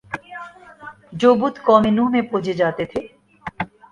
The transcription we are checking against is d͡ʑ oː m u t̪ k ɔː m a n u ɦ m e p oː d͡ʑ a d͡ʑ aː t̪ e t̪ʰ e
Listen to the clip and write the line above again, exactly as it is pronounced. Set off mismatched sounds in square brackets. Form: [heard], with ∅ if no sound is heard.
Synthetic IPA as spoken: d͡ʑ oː [b] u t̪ k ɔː m [e] n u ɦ m e p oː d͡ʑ [e] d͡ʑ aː t̪ e t̪ʰ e